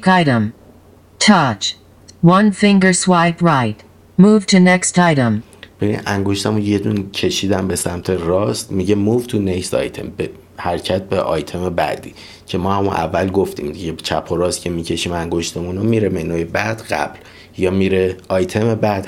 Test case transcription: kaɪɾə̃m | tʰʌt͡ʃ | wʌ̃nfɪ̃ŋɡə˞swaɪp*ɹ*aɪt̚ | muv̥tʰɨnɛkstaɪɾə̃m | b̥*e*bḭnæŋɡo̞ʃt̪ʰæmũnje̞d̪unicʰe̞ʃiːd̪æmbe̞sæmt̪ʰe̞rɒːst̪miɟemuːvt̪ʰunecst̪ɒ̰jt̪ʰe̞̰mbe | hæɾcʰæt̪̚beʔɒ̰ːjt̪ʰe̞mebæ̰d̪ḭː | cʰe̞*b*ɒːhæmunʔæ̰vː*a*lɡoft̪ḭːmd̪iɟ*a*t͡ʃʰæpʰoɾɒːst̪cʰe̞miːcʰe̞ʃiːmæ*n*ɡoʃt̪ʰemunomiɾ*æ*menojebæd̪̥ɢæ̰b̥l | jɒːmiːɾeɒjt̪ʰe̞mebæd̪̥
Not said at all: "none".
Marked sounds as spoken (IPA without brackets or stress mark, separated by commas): ɹ, e, m, æ, e, ŋ, e